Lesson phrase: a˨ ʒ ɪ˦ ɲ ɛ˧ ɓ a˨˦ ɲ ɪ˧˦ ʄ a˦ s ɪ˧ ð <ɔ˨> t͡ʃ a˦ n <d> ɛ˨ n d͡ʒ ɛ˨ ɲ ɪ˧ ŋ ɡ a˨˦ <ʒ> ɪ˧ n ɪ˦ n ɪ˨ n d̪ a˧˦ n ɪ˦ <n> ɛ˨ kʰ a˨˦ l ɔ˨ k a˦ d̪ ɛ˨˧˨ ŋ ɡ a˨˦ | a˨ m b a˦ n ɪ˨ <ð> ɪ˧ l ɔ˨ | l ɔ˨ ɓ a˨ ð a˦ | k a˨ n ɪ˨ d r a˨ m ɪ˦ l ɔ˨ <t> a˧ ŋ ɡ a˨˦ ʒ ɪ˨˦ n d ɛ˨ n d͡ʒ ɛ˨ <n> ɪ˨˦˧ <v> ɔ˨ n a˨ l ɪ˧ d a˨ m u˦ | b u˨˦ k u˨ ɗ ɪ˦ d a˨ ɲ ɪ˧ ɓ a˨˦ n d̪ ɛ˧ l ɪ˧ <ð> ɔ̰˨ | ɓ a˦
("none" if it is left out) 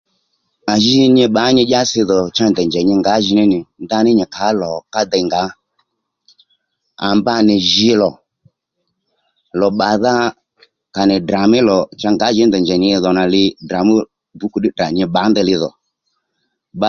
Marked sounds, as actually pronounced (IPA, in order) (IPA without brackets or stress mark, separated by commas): ɔ˨, d, ʒ, ɲ, ʒ, t͡ʃ, ɲ, ð, ð